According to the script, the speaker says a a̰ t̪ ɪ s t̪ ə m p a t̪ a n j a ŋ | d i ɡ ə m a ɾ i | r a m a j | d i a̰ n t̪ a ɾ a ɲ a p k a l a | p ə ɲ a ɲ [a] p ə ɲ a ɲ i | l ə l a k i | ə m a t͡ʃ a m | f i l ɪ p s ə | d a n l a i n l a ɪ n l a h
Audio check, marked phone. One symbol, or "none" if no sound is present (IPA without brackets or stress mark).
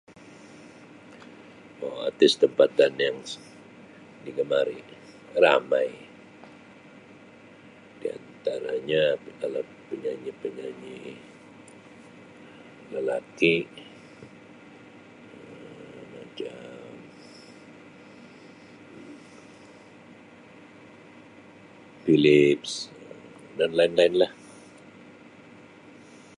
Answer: i